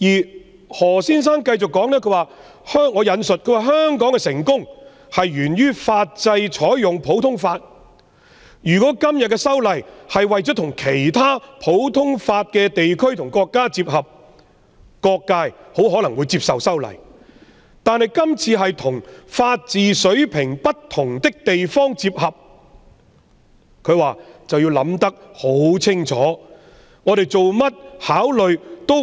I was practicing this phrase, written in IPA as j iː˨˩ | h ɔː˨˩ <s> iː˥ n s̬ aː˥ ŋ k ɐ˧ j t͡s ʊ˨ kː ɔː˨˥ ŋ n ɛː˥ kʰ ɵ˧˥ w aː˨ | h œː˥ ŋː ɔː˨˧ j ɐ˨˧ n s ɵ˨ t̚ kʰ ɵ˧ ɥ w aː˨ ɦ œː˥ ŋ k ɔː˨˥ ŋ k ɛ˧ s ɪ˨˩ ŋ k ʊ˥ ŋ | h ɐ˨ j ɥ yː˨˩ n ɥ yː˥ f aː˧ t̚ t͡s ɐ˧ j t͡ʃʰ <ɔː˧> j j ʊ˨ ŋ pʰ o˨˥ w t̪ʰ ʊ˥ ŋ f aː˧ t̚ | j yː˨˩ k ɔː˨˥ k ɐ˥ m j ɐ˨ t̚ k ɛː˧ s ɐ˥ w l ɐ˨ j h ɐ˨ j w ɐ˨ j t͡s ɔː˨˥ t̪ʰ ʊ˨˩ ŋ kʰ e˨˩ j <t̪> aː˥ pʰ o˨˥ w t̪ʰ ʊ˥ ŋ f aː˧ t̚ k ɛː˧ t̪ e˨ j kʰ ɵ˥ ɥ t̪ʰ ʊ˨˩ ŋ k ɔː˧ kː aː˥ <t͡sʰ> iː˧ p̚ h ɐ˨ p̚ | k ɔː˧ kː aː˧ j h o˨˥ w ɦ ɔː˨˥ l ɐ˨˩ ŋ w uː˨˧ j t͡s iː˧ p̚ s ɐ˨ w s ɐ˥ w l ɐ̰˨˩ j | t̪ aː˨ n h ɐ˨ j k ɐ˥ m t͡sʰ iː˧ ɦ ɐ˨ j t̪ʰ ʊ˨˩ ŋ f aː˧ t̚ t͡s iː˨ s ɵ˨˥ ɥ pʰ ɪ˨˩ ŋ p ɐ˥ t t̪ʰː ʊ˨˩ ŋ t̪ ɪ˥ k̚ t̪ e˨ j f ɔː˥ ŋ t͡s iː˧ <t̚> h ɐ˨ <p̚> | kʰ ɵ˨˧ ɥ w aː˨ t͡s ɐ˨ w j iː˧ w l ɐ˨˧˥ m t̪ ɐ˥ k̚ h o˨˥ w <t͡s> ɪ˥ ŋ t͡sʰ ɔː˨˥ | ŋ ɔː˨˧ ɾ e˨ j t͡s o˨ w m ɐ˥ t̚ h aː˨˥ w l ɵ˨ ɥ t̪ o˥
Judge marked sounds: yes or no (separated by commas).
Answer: yes, no, no, no, no, yes, no